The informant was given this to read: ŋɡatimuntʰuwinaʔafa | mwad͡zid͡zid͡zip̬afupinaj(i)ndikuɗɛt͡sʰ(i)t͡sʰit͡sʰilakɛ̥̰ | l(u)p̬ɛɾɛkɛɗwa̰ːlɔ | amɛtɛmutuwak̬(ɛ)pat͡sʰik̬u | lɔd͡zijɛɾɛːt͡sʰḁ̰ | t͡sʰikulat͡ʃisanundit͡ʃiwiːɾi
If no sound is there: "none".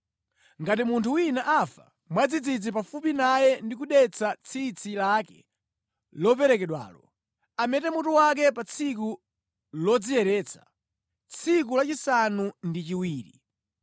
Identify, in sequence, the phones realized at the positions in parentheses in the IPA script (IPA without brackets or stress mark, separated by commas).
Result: ɛ, a, ɔ, ɛ